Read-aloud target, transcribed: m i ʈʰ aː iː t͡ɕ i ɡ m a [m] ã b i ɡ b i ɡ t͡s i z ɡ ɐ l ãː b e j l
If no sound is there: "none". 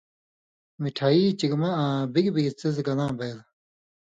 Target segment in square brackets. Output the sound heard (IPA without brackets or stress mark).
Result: none